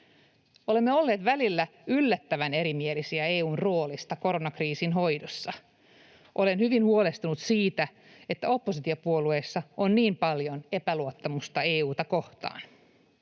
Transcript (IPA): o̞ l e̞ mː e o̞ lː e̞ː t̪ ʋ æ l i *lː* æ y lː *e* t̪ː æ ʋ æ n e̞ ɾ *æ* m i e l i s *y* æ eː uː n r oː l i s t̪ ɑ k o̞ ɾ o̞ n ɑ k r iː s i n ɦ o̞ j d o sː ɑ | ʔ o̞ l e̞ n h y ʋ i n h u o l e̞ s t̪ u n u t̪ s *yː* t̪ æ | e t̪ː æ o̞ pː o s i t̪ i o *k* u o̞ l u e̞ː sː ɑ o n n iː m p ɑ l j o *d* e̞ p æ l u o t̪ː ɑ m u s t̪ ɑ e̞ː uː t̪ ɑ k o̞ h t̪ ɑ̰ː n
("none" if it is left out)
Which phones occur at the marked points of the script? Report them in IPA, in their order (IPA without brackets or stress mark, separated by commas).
lː, æ, i, i, iː, p, n